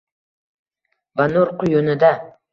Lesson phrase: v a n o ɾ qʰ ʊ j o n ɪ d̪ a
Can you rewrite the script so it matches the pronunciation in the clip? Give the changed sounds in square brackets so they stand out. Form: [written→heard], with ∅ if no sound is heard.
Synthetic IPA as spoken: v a n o ɾ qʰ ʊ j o n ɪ d̪ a